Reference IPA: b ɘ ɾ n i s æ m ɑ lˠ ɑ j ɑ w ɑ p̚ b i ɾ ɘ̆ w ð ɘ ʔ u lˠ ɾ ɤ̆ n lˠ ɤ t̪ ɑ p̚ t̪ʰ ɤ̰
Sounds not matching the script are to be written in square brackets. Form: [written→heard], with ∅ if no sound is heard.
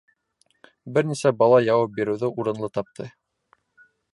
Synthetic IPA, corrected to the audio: b ɘ ɾ n i s æ [m→b] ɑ lˠ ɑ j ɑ w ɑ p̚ b i ɾ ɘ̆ w ð ɘ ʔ u [lˠ→∅] ɾ ɤ̆ n lˠ ɤ t̪ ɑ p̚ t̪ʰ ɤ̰